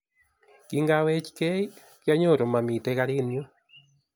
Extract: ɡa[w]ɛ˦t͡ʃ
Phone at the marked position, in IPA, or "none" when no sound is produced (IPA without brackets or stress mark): w